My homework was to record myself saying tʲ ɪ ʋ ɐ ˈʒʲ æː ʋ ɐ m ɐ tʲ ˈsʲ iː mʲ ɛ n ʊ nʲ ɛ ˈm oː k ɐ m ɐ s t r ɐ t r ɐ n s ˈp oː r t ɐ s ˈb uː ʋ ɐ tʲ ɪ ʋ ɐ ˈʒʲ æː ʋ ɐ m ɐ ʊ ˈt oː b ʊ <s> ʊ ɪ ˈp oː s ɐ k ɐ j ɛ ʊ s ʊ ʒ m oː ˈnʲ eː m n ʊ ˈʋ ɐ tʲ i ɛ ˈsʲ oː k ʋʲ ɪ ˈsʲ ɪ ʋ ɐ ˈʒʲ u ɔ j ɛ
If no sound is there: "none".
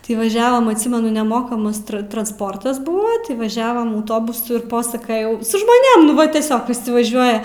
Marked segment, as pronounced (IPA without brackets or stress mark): s